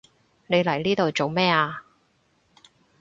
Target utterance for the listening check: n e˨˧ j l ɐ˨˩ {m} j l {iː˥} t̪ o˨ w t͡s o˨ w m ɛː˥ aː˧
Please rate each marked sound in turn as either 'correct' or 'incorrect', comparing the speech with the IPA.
incorrect: none, correct

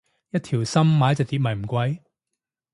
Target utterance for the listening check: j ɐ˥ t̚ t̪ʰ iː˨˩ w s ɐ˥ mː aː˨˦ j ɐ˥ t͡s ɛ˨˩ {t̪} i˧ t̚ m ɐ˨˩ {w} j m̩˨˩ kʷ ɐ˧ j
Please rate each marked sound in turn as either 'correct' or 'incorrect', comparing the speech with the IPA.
correct, incorrect: none

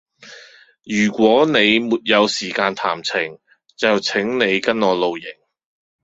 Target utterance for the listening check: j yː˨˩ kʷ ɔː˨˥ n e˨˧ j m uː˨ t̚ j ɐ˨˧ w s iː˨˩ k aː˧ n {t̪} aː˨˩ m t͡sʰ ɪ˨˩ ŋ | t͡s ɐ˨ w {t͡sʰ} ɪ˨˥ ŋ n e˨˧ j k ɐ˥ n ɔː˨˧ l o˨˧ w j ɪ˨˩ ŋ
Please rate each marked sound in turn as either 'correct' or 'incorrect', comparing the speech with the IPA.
incorrect: t̪ʰ, correct

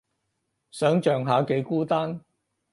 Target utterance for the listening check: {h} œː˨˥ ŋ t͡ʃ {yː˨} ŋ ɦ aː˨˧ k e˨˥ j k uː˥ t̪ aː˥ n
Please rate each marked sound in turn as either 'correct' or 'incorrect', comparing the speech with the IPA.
incorrect: s, incorrect: œː˨

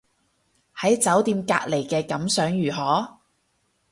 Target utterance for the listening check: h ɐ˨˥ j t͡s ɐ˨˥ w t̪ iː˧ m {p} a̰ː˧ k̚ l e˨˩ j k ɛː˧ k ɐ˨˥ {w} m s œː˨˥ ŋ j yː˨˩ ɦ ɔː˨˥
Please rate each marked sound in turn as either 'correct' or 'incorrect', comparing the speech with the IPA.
incorrect: k, incorrect: none

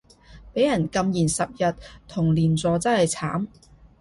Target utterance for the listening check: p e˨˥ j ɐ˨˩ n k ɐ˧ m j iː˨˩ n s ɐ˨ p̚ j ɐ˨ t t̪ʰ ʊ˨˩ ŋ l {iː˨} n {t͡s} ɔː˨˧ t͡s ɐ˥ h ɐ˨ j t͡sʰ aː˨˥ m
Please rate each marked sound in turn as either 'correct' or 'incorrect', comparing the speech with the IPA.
correct, correct

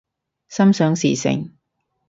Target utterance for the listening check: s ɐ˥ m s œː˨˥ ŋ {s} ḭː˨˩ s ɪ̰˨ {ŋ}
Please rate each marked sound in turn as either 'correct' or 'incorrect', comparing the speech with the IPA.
correct, correct

